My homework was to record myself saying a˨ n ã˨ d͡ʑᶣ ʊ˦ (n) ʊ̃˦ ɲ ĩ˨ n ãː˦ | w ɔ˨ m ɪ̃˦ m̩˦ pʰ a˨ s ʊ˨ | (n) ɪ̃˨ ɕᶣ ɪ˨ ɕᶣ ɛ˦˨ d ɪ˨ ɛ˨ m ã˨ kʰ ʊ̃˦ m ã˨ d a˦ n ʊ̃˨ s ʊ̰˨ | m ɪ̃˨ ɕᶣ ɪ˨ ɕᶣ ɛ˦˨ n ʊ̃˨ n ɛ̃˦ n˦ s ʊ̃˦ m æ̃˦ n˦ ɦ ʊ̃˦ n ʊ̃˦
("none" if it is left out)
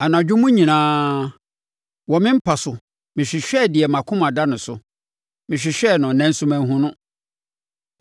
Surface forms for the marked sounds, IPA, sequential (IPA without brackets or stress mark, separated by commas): m, m